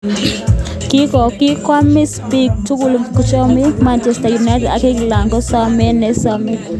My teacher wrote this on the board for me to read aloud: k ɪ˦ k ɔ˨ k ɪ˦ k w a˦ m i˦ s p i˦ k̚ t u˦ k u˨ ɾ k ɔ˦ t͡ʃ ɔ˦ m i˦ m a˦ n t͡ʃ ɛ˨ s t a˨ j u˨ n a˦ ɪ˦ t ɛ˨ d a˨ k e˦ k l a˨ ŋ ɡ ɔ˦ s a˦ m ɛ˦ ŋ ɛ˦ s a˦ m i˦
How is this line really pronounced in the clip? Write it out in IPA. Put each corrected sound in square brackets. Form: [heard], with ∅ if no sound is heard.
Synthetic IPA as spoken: k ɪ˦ k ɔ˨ k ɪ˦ k w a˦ m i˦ s p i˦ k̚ t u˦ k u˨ [l] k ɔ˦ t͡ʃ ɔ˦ m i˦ m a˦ n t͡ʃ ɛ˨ s t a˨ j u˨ n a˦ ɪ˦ t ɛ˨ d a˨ k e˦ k l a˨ ŋ ɡ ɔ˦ s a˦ m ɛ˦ [n] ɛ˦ s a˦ m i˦

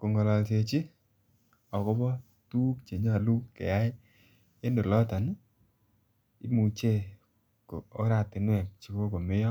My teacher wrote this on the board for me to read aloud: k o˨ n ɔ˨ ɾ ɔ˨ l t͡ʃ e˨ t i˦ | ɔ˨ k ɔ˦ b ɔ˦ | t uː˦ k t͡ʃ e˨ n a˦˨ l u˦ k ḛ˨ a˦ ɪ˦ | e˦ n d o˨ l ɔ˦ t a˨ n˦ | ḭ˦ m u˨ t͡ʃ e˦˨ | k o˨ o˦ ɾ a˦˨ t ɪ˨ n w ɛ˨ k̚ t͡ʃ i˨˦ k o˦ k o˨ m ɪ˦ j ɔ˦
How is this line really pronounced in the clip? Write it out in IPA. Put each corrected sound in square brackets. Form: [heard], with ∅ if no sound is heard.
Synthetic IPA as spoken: k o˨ [ŋ] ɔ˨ [l] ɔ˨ l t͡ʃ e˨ [t͡ʃ] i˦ | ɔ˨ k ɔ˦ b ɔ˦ | t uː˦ k t͡ʃ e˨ [ɲ] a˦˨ l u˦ k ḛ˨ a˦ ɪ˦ | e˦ n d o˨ l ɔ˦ t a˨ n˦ | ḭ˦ m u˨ t͡ʃ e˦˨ | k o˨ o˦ ɾ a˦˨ t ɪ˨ n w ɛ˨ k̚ t͡ʃ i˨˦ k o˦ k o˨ m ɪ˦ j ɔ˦

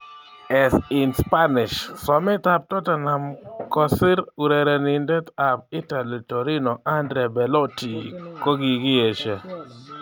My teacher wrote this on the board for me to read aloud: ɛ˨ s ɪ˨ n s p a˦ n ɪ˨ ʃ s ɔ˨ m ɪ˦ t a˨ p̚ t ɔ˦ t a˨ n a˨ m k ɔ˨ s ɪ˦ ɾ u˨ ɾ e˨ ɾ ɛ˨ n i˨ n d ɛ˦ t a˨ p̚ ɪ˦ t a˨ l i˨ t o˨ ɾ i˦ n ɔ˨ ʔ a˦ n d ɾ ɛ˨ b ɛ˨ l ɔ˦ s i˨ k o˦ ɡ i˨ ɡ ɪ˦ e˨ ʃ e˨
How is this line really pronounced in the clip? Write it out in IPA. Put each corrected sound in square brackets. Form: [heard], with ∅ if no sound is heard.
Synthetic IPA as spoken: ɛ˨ s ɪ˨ n s p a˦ n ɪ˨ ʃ s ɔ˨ m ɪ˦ t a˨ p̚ t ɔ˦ t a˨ n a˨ m k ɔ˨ s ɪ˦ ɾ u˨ ɾ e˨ ɾ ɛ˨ n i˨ n d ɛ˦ t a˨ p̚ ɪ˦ t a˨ l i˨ t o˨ ɾ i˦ n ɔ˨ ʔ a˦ n d ɾ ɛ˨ b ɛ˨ l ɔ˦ [t] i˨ k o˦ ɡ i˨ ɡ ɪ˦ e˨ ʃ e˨

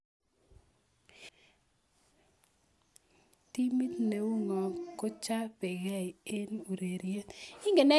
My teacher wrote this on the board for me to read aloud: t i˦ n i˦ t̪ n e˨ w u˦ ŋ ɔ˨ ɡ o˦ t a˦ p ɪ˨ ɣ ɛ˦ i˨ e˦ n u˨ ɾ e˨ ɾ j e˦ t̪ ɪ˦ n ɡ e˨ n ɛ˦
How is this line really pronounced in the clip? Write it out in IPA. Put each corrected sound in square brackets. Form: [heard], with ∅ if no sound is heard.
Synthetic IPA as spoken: t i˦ [m] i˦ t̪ n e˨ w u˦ ŋ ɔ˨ [k] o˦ [t͡ʃ] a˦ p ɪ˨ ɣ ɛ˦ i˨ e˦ n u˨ ɾ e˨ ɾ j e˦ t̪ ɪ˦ [ŋ] ɡ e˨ n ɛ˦

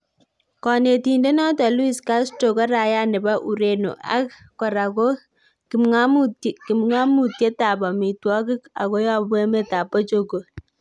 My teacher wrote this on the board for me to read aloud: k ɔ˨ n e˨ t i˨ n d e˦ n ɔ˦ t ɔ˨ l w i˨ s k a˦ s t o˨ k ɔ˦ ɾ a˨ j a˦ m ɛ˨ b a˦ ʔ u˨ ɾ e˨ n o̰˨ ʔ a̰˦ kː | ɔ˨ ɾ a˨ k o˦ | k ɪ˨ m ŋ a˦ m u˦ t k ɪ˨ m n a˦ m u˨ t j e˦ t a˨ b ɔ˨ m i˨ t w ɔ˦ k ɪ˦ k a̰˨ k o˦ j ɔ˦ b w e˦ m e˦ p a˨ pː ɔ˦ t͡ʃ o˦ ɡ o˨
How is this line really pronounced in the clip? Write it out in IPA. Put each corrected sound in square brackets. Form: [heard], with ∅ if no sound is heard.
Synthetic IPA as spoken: k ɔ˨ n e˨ t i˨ n d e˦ n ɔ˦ t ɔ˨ l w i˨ s k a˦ s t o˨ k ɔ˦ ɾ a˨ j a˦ [n] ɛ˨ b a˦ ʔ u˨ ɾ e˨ n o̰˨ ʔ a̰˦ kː | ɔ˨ ɾ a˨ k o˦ | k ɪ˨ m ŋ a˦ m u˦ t k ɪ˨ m [ŋ] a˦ m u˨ t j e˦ t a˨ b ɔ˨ m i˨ t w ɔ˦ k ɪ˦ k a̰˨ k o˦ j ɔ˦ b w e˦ m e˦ [t] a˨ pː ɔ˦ t͡ʃ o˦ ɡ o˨

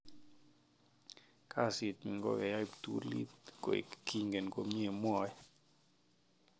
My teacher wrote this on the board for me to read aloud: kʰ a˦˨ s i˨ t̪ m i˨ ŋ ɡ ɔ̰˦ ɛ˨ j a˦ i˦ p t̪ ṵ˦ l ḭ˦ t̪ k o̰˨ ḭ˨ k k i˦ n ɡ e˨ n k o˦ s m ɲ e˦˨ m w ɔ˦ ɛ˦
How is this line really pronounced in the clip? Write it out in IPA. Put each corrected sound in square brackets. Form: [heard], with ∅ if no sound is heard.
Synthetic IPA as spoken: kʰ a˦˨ s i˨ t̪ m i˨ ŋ ɡ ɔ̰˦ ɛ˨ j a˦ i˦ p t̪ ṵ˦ l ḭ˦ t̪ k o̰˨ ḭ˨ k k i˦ [ŋ] ɡ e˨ n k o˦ [∅] m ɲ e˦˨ m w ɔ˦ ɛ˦

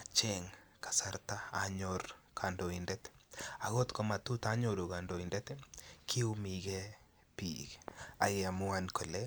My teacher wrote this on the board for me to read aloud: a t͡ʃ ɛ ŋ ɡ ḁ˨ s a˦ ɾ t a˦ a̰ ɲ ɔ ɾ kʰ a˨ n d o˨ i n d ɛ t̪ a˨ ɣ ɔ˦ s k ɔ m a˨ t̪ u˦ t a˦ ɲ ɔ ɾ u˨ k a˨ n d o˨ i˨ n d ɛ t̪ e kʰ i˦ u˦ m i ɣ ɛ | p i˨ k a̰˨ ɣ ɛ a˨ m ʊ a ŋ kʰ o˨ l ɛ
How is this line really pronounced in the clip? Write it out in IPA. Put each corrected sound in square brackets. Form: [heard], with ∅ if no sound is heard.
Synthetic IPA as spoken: a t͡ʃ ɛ ŋ [k] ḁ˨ s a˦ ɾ t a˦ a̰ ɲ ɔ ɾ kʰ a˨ n d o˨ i n d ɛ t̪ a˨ ɣ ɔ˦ [t] k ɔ m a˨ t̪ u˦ t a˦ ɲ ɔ ɾ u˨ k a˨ n d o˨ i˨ n d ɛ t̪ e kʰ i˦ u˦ m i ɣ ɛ | p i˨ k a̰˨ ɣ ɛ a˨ m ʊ a [n] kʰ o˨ l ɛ

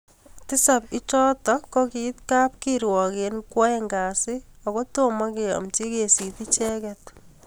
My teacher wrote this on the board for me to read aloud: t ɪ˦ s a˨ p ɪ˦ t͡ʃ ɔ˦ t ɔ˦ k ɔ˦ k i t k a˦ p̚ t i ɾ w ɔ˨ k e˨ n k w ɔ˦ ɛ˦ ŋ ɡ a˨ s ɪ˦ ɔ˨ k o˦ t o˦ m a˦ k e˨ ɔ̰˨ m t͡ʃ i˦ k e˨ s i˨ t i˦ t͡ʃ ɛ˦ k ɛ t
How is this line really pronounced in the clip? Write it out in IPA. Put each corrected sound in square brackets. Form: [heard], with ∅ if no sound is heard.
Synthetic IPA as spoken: t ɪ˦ s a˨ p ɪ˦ t͡ʃ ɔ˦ t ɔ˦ k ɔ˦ k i t k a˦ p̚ [k] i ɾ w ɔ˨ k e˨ n k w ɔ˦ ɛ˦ ŋ ɡ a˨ s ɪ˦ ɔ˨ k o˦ t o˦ m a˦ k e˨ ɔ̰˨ m t͡ʃ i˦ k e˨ s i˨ t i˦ t͡ʃ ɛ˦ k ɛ t

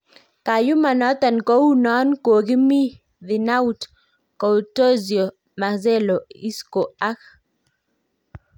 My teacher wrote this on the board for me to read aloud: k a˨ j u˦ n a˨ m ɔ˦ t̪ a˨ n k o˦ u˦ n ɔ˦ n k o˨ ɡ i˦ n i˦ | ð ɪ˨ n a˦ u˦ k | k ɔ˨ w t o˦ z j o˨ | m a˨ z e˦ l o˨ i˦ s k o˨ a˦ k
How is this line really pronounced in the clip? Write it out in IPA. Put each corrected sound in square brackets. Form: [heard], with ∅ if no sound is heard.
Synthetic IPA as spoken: k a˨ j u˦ [m] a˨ [n] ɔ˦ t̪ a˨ n k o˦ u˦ n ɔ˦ n k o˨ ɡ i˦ [m] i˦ | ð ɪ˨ n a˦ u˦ [t] | k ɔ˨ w t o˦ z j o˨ | m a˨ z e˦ l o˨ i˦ s k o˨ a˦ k

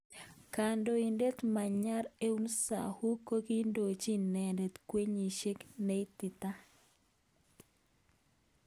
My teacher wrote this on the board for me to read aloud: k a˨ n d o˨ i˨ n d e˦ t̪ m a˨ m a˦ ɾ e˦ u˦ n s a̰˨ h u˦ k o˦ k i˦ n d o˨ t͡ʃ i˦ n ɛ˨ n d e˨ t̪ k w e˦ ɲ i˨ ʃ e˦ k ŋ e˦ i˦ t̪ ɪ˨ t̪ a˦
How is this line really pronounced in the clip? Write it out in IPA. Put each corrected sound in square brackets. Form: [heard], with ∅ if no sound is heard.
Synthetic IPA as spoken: k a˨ n d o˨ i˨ n d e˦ t̪ m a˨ [ɲ] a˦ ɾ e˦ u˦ n s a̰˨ h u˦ k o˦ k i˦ n d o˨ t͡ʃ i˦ n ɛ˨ n d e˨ t̪ k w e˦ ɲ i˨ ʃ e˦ k [n] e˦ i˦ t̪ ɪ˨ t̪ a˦

